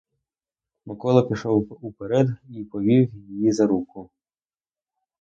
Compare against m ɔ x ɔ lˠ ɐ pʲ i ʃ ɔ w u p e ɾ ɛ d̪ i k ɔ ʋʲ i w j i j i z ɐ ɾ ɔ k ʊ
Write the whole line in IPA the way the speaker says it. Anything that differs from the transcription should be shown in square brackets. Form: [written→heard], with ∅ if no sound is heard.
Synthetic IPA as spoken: m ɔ [x→k] ɔ lˠ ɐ pʲ i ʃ ɔ w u p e ɾ ɛ d̪ i [k→p] ɔ ʋʲ i w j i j i z ɐ ɾ [ɔ→u] k ʊ